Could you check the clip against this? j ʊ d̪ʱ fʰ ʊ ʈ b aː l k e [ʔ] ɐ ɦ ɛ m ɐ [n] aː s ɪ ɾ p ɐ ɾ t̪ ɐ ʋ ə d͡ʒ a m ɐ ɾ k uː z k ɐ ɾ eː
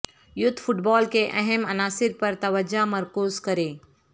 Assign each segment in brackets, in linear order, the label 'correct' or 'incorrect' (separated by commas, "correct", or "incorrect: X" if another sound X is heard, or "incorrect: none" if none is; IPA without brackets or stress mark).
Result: correct, correct